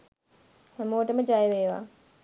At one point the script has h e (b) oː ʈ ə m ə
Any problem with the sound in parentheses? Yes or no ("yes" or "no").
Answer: yes